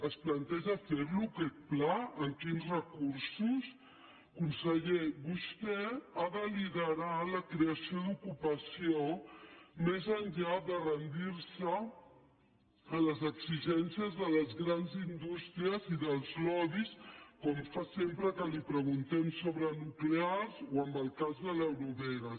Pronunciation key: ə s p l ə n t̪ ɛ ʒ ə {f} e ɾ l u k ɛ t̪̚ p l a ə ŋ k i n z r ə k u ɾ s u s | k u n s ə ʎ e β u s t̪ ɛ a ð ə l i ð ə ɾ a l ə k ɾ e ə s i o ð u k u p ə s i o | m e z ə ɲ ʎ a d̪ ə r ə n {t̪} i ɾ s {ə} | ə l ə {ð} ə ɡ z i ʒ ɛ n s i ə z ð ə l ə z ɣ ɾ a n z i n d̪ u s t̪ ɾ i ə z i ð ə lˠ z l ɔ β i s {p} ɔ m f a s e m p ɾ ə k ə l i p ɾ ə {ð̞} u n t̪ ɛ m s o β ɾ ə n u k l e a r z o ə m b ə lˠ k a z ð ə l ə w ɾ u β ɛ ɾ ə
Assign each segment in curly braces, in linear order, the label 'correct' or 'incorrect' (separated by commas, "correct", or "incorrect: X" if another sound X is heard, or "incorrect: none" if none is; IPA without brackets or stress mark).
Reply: correct, incorrect: d̪, correct, incorrect: z, incorrect: k, incorrect: ɣ̞